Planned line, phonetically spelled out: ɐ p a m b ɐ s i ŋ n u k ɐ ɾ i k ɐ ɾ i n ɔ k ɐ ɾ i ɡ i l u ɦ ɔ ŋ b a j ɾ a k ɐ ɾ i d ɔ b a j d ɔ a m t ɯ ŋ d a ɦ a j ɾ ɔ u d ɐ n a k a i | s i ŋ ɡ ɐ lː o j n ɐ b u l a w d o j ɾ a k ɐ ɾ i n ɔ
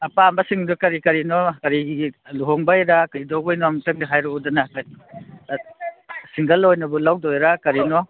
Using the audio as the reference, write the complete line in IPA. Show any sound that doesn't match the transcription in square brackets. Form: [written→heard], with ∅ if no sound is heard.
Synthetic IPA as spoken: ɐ p a m b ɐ s i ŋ [n→d] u k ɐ ɾ i k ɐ ɾ i n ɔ k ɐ ɾ i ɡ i l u ɦ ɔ ŋ b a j ɾ a k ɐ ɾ i d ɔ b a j [d→n] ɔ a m t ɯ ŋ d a ɦ a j ɾ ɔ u d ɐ n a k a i | s i ŋ ɡ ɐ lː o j n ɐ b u l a w d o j ɾ a k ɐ ɾ i n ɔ